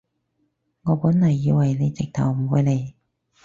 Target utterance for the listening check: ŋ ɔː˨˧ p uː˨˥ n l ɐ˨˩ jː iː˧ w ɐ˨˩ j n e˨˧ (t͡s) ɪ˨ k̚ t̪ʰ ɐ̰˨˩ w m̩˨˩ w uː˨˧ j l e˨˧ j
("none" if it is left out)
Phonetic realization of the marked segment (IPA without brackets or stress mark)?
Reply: t͡s